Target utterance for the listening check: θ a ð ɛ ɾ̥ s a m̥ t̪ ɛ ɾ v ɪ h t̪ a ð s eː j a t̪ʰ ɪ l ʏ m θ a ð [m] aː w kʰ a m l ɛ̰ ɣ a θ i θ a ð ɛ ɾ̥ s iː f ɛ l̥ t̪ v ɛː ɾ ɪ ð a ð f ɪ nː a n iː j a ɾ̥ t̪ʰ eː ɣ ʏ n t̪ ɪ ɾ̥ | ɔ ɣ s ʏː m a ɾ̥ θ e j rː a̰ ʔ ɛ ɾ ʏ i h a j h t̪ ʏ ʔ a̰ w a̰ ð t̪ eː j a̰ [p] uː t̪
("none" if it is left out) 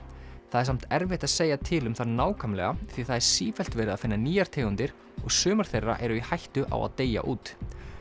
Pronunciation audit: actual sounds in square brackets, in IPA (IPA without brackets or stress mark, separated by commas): n, ʔ